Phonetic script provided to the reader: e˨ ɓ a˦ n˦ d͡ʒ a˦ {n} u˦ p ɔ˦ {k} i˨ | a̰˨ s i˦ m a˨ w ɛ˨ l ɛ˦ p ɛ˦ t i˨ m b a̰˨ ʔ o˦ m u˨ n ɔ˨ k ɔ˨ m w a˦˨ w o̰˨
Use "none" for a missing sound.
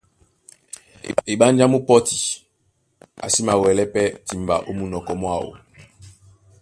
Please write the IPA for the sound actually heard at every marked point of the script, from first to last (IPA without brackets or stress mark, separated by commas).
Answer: m, t